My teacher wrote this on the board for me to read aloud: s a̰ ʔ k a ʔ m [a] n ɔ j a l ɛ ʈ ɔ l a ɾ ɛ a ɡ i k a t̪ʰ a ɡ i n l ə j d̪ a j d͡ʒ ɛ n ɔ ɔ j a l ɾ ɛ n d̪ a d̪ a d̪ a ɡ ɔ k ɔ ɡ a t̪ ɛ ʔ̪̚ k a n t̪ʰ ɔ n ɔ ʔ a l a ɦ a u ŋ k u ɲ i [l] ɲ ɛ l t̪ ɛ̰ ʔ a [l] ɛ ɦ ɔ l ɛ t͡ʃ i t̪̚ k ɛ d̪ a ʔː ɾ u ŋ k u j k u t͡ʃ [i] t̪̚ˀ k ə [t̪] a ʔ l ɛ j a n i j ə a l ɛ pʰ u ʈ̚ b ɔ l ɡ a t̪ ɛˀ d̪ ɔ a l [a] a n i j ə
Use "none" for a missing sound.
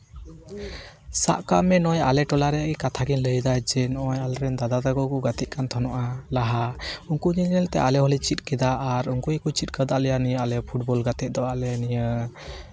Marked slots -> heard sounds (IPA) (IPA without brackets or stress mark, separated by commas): ɛ, l, l, i, d̪, ɛ